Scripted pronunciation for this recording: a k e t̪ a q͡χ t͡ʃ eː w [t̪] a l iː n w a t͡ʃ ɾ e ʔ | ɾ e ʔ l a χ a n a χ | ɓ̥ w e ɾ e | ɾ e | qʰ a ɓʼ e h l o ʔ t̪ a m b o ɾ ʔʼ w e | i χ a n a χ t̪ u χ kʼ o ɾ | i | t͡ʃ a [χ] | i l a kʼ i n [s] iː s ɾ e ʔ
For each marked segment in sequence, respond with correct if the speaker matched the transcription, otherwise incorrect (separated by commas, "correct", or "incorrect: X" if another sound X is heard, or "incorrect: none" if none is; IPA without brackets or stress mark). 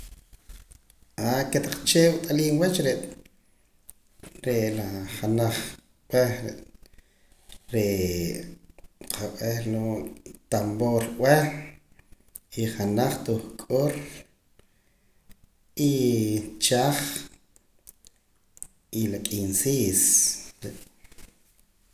incorrect: t̪ʼ, correct, correct